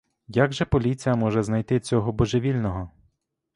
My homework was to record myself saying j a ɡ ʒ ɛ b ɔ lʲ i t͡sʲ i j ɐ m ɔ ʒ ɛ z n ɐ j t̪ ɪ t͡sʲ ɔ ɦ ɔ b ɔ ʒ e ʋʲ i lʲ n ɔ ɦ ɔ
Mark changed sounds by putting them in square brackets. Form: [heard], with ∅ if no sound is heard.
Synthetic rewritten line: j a ɡ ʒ ɛ [p] ɔ lʲ i t͡sʲ i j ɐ m ɔ ʒ ɛ z n ɐ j t̪ ɪ t͡sʲ ɔ ɦ ɔ b ɔ ʒ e ʋʲ i lʲ n ɔ ɦ ɔ